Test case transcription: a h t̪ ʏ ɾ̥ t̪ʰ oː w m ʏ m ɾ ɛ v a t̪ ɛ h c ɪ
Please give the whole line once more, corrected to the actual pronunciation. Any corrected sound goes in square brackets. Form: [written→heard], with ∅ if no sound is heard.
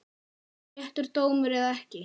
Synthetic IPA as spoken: [a→ɛ] h t̪ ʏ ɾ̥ [t̪ʰ→t̪] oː w m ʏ [m→∅] ɾ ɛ [v→ð] a [t̪→∅] ɛ h c ɪ